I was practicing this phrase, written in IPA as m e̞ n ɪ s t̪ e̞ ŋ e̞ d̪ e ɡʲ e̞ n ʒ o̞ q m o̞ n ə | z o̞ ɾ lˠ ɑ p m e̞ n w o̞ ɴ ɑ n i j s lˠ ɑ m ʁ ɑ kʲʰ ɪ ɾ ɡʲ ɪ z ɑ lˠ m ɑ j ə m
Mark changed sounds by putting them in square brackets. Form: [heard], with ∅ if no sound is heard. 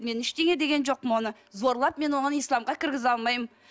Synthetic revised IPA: m e̞ n ɪ [ʃ] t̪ e̞ ŋ e̞ d̪ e ɡʲ e̞ n ʒ o̞ q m o̞ n ə | z o̞ ɾ lˠ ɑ p m e̞ n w o̞ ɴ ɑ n i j s lˠ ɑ m ʁ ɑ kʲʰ ɪ ɾ ɡʲ ɪ z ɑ lˠ m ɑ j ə m